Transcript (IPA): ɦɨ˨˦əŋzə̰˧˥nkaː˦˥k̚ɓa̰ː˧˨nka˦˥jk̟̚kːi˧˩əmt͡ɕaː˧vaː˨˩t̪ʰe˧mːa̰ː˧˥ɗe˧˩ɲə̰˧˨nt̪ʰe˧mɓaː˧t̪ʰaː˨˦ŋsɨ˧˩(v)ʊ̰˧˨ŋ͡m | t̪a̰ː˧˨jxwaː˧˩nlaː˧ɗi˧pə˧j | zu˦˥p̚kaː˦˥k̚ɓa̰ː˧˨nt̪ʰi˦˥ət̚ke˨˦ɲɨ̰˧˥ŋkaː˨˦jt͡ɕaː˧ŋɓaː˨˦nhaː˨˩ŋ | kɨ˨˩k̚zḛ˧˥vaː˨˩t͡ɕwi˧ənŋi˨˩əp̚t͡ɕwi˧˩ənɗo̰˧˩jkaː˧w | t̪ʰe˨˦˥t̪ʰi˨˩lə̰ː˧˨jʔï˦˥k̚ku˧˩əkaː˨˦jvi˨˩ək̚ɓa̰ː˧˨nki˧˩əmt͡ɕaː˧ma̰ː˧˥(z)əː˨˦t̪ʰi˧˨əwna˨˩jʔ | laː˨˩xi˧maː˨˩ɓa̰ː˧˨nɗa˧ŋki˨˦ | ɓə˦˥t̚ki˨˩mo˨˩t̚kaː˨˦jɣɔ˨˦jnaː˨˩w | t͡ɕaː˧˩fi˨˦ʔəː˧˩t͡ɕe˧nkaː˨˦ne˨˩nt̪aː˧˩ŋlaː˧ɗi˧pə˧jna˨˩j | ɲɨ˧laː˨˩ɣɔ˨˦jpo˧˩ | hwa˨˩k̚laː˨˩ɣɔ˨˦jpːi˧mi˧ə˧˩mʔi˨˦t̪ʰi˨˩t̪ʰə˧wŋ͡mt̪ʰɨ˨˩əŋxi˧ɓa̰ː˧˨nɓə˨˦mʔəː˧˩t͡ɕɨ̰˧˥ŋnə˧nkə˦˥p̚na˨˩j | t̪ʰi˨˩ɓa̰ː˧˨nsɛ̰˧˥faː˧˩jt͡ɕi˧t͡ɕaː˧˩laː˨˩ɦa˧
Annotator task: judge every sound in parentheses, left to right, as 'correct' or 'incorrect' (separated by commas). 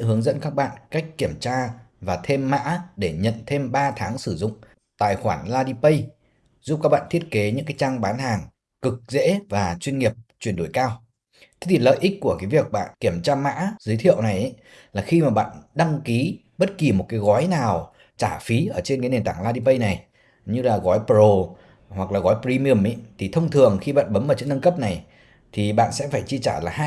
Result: incorrect, correct